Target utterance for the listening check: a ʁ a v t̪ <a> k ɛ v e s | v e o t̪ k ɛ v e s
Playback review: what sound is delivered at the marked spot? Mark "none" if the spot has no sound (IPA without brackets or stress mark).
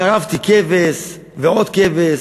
i